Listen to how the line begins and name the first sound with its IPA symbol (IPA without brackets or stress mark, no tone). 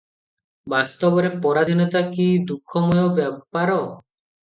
b